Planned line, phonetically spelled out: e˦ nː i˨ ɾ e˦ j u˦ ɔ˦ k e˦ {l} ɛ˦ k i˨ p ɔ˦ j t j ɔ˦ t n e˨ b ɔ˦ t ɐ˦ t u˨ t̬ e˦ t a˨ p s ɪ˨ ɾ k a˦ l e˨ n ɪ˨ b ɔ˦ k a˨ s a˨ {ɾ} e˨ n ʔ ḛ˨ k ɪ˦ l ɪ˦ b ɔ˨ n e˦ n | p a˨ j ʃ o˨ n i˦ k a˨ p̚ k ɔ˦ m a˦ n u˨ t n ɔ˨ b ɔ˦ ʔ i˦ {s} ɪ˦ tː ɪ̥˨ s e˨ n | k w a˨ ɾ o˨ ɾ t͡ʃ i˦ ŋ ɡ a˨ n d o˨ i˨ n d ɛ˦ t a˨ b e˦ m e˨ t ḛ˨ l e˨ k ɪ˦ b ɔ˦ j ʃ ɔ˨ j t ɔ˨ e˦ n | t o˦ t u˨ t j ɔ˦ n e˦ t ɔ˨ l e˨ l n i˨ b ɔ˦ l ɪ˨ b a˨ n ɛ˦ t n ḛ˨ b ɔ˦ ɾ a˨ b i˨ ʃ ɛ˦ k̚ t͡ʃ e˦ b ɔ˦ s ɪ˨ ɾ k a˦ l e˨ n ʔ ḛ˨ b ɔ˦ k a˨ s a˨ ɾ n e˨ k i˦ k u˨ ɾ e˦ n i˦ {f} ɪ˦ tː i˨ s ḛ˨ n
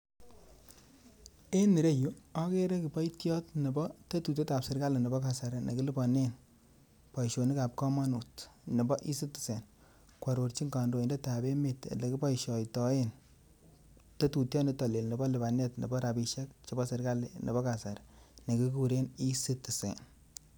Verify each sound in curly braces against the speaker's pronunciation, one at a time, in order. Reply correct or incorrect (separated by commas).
incorrect, correct, correct, incorrect